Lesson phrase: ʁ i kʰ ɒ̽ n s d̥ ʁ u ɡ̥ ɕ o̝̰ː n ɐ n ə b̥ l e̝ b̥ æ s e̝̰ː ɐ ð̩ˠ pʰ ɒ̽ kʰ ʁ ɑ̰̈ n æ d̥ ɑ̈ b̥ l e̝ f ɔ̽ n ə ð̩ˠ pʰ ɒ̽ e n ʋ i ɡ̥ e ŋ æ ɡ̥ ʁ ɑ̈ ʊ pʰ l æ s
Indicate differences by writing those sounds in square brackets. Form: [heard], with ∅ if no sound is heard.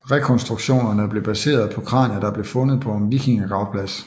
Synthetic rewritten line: ʁ [ɛ] kʰ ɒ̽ n s d̥ ʁ u ɡ̥ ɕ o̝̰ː n ɐ n ə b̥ l e̝ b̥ æ s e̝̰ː ɐ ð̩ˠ pʰ ɒ̽ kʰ ʁ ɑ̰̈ n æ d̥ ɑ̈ b̥ l e̝ f ɔ̽ n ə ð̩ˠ pʰ ɒ̽ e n ʋ i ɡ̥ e ŋ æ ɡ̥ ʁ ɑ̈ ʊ pʰ l æ s